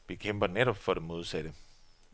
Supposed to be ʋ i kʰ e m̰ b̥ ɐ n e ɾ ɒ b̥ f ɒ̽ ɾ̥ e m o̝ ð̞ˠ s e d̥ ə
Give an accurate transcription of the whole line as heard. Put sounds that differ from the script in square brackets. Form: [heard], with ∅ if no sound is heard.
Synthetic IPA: ʋ i kʰ e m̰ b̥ ɐ n e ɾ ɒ b̥ f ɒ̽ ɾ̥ e m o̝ ð̞ˠ s [æ] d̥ ə